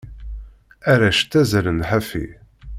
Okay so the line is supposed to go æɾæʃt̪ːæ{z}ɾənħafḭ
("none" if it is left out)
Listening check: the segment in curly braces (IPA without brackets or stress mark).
z